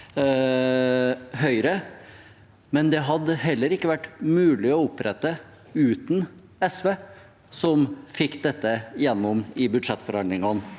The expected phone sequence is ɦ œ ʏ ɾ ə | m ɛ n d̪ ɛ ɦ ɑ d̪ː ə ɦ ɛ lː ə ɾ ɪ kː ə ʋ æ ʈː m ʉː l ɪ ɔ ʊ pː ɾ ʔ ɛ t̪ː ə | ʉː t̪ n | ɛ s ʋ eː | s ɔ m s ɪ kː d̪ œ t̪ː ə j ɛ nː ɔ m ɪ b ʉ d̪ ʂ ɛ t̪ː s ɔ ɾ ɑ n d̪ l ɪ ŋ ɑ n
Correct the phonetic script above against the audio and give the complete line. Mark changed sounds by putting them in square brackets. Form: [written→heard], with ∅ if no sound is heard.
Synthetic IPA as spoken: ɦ œ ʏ ɾ ə | m ɛ n d̪ ɛ ɦ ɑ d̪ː ə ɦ ɛ lː ə ɾ ɪ kː ə ʋ æ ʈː m ʉː l ɪ ɔ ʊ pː ɾ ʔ ɛ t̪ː ə | ʉː t̪ n | ɛ s ʋ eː | s ɔ m [s→f] ɪ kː d̪ [œ→ɛ] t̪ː ə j ɛ nː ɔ m ɪ b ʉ d̪ ʂ ɛ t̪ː [s→f] ɔ ɾ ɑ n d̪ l ɪ ŋ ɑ n

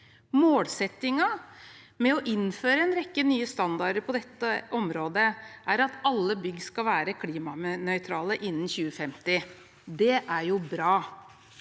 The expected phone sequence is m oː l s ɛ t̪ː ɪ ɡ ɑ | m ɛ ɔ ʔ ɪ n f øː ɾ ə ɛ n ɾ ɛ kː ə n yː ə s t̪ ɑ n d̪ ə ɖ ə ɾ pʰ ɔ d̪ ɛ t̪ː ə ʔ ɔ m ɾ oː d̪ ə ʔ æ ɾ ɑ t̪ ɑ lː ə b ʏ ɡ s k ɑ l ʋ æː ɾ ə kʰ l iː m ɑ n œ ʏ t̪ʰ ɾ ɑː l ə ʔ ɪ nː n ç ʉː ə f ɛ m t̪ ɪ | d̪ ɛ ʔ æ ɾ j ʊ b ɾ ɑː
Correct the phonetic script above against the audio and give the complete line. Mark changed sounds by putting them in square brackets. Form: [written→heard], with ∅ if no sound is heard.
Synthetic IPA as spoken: m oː l s ɛ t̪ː ɪ [ɡ→ŋ] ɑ | m ɛ ɔ ʔ ɪ n f øː ɾ ə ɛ n ɾ ɛ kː ə n yː ə s t̪ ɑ n d̪ [ə→ɑ] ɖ ə ɾ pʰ ɔ d̪ ɛ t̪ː ə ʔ ɔ m ɾ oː d̪ ə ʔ æ ɾ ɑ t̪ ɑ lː ə b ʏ ɡ s k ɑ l ʋ æː ɾ ə kʰ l iː m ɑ n œ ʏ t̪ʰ ɾ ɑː l ə ʔ ɪ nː n ç ʉː ə f ɛ m t̪ ɪ | d̪ ɛ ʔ æ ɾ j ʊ b ɾ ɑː

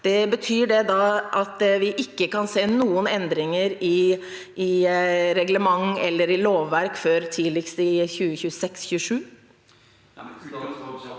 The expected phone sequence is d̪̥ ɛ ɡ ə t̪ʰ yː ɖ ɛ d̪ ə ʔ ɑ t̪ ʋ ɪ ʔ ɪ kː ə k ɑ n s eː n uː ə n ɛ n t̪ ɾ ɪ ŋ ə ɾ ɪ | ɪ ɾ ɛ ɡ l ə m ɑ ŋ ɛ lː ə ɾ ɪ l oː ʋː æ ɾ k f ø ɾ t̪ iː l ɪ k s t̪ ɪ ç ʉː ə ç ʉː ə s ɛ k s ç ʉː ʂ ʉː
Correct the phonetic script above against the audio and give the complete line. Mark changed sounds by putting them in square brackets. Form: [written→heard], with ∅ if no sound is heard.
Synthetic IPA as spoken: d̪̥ ɛ [ɡ→b] ə t̪ʰ yː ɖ ɛ d̪ [ə→ɑ] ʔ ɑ t̪ ʋ ɪ ʔ ɪ kː ə k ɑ n s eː n uː ə n ɛ n [t̪→d̪] ɾ ɪ ŋ ə ɾ ɪ | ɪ ɾ ɛ ɡ l ə m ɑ ŋ ɛ lː ə ɾ ɪ l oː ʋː æ ɾ k f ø ɾ [t̪→t̪ʰ] iː l ɪ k s t̪ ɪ ç ʉː ə ç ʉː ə s ɛ k s ç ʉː ʂ ʉː

